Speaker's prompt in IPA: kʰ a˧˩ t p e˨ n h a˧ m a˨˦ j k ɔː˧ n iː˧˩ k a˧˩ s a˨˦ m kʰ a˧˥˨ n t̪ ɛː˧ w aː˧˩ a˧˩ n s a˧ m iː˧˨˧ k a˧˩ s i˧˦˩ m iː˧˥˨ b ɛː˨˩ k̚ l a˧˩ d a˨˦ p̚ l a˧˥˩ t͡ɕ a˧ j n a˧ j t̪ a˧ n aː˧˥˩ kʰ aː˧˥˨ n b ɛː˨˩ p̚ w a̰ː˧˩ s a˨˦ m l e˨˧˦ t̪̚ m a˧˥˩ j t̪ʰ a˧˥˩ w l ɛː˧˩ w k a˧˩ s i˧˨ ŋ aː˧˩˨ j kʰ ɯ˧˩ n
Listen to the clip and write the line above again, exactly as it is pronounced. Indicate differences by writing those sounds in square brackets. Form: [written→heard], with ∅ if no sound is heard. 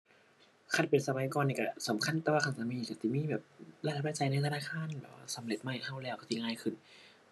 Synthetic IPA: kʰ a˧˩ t p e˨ n [h→s] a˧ m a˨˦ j k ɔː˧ n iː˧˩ k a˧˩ s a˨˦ m kʰ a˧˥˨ n t̪ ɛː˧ w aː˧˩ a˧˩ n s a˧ m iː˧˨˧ k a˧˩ s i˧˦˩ m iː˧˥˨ b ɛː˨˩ [k̚→p̚] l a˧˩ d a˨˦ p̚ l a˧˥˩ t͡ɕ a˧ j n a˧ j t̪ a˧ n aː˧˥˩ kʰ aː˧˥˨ n b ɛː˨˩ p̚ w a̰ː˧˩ s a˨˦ m l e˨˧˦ t̪̚ m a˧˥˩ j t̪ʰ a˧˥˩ w l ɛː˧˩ w k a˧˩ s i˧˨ ŋ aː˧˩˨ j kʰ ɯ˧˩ n